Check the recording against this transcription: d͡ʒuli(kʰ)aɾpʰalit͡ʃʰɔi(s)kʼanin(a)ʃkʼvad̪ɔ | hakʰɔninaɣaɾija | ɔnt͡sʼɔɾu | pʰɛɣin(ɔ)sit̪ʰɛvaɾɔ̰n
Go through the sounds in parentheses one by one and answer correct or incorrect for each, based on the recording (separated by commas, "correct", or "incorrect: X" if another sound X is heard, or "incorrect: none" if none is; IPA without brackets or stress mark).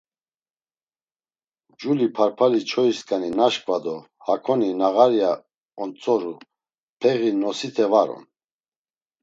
incorrect: pʰ, correct, correct, correct